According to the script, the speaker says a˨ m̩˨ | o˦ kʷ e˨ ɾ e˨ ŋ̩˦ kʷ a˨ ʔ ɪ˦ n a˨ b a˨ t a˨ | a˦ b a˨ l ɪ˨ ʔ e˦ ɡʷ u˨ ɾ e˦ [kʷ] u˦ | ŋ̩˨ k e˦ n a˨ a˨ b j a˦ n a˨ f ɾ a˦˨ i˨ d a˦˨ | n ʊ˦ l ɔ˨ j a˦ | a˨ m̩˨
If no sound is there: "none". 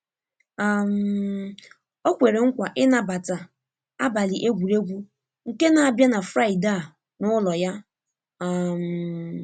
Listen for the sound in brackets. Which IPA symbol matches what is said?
ɡʷ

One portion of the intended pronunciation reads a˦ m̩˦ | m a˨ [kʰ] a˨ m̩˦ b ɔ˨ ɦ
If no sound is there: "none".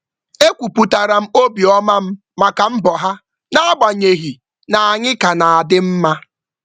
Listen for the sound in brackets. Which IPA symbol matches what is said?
k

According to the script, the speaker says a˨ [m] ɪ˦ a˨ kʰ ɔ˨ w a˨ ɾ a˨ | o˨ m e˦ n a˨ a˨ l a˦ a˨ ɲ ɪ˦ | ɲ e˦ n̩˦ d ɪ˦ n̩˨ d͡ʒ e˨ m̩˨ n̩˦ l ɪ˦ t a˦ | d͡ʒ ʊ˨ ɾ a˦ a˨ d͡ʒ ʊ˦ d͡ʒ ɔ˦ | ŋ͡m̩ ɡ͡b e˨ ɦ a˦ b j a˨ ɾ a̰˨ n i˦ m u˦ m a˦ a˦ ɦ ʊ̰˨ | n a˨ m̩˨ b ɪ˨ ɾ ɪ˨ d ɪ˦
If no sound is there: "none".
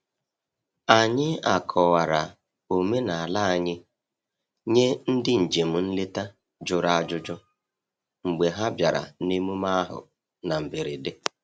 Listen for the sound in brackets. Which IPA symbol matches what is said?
ɲ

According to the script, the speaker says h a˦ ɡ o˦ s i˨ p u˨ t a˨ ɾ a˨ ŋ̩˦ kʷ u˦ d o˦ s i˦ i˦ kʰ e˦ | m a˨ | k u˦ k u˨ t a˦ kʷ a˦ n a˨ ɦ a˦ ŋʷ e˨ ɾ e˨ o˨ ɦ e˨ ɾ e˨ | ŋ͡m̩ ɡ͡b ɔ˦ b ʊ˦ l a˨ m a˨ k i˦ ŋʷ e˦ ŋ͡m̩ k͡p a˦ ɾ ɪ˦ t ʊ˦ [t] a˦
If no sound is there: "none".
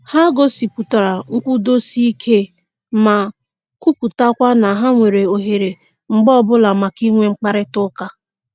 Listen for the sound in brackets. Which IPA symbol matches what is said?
k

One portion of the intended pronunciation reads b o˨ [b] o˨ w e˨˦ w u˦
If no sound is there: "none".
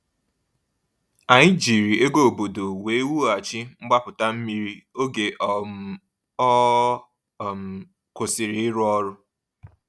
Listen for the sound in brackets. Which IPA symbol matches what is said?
d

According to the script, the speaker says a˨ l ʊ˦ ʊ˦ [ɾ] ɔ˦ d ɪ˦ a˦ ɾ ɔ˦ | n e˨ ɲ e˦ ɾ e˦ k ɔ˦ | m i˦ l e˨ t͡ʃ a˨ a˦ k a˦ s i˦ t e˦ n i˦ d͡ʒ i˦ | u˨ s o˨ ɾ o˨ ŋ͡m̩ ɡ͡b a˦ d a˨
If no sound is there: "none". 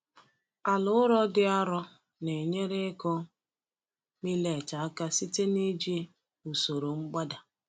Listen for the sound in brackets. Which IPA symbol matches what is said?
ɾ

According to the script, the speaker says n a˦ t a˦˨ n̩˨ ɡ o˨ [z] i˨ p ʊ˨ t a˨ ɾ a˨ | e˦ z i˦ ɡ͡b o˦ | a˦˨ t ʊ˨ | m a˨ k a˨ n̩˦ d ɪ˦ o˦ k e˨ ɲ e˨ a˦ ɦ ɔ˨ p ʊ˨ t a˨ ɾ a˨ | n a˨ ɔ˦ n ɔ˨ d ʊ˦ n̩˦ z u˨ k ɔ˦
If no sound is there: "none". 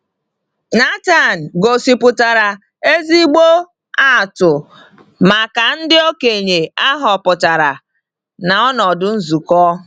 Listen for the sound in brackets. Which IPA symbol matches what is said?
s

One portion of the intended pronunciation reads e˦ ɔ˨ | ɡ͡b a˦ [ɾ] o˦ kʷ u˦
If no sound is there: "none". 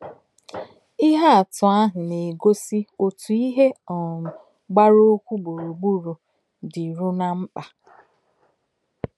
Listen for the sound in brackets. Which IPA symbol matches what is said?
ɾ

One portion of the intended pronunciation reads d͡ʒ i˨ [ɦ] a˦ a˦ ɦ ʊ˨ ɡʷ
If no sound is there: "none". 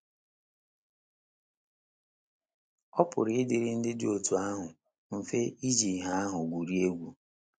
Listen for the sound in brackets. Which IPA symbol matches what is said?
ɦ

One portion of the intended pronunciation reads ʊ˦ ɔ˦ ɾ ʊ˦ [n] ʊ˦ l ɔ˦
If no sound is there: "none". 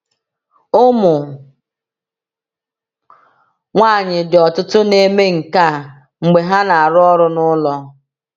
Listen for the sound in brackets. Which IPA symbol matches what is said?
n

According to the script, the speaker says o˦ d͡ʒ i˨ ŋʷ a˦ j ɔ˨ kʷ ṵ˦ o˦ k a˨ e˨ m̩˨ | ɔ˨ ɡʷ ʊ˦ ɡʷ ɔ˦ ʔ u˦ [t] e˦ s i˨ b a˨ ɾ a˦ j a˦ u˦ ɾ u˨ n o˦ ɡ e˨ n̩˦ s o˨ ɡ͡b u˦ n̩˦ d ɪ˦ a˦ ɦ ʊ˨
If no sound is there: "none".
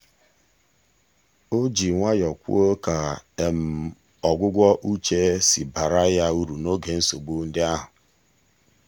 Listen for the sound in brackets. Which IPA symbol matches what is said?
t͡ʃ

